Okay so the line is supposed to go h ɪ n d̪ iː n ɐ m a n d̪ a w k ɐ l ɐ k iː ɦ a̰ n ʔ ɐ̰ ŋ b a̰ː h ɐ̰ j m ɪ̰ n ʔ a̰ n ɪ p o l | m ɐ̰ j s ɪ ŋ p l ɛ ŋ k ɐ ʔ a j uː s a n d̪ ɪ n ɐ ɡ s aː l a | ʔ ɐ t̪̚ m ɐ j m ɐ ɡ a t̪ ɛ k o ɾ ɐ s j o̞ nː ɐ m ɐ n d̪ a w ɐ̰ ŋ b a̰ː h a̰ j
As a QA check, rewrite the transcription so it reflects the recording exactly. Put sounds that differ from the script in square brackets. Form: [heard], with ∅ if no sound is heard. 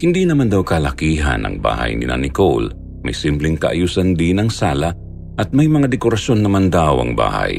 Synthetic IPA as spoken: h ɪ n d̪ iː n ɐ m a n d̪ a w k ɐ l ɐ k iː ɦ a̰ n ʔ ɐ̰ ŋ b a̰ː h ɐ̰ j [n] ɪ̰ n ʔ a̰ n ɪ [k] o l | m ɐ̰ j s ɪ [m] p l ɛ ŋ k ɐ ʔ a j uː s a n d̪ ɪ n ɐ [ŋ] s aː l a | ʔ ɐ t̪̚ m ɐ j m ɐ [ŋ] a [d̪] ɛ k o ɾ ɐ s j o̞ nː ɐ m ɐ n d̪ a w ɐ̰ ŋ b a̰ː h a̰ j